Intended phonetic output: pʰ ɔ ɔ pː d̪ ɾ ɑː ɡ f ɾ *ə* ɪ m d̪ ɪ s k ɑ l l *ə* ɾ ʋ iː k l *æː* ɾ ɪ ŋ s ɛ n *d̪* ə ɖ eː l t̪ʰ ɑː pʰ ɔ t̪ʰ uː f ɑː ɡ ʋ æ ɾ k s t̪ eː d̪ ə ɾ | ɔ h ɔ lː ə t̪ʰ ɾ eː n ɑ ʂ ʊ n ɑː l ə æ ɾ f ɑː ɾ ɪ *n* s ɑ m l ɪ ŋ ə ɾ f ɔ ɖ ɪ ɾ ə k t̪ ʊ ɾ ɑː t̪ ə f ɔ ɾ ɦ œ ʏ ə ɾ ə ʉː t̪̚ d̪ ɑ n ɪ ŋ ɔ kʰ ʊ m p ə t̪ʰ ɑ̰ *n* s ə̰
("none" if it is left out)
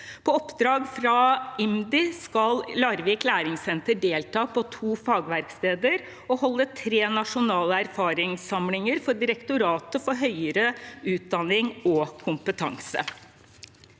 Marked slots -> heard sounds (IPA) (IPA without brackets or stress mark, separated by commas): ɑ, ɑ, æː, t̪, ŋ, ŋ